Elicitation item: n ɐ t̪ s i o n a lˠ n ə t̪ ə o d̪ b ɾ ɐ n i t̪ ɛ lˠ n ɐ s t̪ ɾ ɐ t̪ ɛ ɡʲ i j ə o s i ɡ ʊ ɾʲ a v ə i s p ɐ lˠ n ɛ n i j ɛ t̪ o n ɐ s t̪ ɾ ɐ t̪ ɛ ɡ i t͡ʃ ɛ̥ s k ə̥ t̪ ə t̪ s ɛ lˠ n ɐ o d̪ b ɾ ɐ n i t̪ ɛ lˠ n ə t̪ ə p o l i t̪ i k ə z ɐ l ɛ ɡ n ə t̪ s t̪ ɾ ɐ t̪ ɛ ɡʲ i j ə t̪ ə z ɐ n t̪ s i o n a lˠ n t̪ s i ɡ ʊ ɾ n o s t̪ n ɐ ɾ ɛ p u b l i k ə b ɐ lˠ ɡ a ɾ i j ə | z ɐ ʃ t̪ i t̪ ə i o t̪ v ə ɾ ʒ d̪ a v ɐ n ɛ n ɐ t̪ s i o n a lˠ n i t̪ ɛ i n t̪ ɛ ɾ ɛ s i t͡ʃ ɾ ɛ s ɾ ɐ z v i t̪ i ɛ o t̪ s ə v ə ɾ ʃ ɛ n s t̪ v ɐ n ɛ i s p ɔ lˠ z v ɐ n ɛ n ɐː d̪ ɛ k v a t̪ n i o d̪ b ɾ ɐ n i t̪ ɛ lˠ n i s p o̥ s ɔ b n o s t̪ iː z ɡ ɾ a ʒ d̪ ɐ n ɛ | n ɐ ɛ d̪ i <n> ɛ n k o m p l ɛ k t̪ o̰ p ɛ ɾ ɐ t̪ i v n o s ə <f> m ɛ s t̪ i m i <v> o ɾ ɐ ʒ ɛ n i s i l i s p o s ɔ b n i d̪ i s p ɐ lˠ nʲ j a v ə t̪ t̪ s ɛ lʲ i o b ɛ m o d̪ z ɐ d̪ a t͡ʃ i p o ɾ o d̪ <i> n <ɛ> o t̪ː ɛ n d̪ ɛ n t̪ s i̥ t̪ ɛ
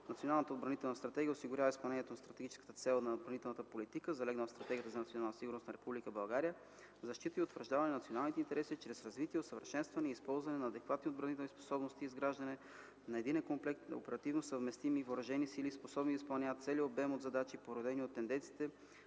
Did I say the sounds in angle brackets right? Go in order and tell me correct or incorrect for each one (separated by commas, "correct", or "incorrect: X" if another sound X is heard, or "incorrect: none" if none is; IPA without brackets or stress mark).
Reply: correct, incorrect: v, correct, incorrect: ɛ, incorrect: i